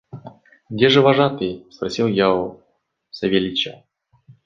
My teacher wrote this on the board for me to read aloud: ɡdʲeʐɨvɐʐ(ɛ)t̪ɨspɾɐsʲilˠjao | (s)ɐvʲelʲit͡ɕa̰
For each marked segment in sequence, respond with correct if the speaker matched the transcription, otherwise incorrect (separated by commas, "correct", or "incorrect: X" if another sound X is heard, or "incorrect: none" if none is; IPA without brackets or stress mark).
incorrect: a, correct